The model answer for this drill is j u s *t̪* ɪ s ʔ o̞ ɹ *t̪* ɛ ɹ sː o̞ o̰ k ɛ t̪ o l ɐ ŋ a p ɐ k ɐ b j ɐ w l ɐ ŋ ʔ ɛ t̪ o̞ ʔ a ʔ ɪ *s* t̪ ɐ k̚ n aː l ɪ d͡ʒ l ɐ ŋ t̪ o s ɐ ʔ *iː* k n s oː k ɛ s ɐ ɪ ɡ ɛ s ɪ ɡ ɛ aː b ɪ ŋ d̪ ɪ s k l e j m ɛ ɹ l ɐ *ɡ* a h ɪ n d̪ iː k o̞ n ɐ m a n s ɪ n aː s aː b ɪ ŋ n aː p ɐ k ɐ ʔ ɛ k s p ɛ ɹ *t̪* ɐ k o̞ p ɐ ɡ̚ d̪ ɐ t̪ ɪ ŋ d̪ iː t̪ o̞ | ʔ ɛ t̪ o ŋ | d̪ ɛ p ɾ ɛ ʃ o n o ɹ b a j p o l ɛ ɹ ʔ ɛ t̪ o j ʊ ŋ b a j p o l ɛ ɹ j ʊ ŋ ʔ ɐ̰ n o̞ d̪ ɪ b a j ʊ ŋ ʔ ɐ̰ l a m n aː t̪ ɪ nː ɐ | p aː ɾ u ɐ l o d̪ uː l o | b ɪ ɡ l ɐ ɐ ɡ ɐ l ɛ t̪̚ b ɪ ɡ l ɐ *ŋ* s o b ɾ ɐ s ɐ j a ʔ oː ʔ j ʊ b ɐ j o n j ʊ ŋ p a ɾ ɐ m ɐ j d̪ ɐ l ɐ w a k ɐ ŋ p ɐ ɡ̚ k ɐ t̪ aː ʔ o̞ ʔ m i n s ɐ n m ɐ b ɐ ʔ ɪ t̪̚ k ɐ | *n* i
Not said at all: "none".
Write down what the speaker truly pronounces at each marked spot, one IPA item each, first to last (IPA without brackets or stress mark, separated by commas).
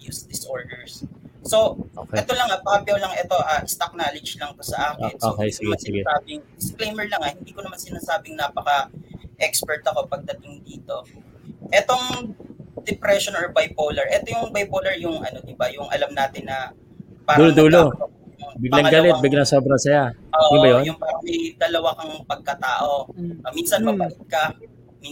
d̪, d̪, s, aː, ŋ, t̪, ŋ, m